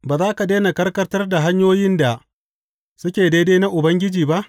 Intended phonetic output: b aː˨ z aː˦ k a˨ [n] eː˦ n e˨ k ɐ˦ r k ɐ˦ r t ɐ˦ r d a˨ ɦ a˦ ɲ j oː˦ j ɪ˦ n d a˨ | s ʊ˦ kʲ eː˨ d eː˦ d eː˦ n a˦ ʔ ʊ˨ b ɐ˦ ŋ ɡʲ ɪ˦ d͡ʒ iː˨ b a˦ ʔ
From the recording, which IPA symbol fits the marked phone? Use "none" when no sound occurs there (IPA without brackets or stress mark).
d